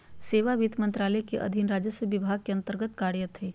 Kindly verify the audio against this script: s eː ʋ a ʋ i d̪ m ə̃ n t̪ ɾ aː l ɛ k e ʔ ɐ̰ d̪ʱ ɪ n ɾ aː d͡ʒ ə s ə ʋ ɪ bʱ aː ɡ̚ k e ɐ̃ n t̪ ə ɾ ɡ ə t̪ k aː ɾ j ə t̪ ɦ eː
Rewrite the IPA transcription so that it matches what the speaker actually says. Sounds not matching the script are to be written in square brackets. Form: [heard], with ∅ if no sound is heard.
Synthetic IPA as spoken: s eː ʋ a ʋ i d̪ m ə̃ n t̪ ɾ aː l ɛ k e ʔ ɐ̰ d̪ʱ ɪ n ɾ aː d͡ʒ ə s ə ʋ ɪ bʱ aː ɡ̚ k e ɐ̃ n t̪ ə ɾ ɡ ə t̪ k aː ɾ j ə t̪ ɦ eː